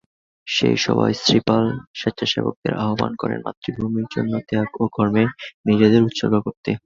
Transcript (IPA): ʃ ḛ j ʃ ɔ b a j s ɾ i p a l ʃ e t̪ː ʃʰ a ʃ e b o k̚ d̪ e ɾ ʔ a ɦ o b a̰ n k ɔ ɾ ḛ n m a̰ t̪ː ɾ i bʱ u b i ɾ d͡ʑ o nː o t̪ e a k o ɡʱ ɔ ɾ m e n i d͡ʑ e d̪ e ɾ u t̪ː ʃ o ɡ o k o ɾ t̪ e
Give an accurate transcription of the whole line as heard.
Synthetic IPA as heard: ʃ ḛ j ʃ ɔ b a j s ɾ i p a l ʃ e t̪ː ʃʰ a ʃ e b o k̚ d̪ e ɾ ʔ a ɦ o b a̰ n k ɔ ɾ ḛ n m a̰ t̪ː ɾ i bʱ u m i ɾ d͡ʑ o nː o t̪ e a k o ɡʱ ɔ ɾ m e n i d͡ʑ e d̪ e ɾ u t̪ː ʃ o ɡ o k o ɾ t̪ e